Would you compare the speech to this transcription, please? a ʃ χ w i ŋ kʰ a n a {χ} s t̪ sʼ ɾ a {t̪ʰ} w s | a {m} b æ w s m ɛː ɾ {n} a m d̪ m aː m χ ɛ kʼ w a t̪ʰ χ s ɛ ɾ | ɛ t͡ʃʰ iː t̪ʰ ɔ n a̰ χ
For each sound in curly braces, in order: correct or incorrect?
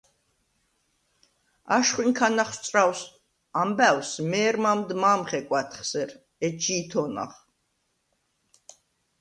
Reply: correct, incorrect: none, correct, incorrect: m

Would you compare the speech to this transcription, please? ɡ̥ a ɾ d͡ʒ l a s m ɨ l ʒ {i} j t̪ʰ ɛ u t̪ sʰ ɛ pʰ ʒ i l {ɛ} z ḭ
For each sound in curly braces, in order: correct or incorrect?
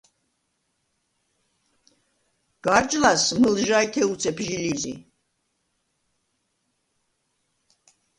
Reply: incorrect: a, incorrect: i

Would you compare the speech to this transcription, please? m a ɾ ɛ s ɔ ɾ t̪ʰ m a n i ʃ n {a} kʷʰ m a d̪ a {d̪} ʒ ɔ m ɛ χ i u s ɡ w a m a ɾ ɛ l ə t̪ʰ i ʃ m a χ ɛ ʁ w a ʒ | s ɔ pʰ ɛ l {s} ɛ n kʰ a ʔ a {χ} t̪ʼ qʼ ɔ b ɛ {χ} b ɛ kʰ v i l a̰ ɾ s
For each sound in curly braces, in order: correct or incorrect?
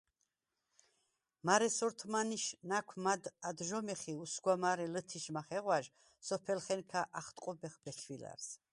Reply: correct, correct, incorrect: χ, correct, correct

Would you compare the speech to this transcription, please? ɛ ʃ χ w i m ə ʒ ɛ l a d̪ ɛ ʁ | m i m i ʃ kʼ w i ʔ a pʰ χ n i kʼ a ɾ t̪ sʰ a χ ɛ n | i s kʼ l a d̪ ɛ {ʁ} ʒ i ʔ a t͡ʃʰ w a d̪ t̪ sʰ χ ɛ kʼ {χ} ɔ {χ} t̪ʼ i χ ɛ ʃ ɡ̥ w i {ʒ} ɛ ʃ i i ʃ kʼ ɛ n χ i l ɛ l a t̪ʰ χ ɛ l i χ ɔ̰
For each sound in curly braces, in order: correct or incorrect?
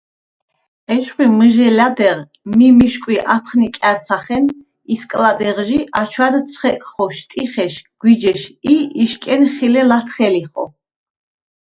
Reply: correct, correct, incorrect: ʃ, incorrect: d͡ʒ

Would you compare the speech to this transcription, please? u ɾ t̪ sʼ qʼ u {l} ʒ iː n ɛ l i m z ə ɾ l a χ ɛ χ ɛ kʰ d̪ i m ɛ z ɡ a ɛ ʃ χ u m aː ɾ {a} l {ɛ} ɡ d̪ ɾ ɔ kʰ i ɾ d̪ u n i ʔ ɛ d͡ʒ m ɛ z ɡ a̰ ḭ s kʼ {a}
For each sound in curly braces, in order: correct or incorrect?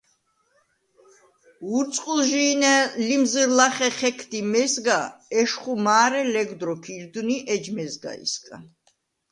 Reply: correct, incorrect: ɛ, correct, correct

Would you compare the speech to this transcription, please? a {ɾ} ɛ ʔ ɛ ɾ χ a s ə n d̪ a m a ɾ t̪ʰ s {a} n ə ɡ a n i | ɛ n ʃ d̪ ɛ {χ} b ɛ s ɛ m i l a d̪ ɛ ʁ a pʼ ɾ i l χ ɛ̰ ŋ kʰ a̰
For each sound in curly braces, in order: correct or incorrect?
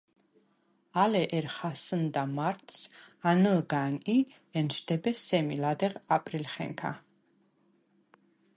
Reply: incorrect: l, correct, incorrect: none

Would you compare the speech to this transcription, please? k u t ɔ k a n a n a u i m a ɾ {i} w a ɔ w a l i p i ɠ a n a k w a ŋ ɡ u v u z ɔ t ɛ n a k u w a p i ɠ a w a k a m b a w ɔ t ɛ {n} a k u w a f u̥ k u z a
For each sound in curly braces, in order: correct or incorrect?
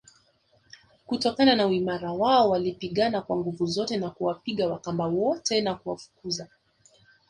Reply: incorrect: a, correct

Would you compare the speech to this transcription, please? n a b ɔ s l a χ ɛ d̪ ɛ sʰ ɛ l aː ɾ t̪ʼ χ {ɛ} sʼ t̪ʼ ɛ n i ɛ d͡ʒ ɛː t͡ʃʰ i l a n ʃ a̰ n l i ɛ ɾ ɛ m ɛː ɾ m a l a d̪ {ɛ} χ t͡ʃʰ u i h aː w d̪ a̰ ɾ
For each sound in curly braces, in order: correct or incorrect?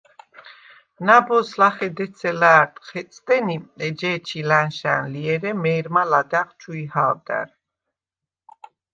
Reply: correct, incorrect: a

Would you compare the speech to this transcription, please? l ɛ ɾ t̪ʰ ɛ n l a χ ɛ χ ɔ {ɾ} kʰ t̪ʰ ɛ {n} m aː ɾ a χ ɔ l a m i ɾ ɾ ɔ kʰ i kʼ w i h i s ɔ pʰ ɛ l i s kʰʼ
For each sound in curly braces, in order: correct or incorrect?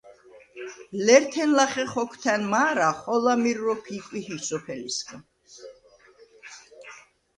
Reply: incorrect: none, correct

